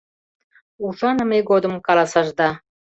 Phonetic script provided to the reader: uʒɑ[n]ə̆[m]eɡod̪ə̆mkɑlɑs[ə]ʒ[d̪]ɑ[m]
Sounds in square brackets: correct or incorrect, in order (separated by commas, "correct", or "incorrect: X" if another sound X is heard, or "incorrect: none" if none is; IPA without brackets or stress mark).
correct, correct, incorrect: ɑ, correct, incorrect: none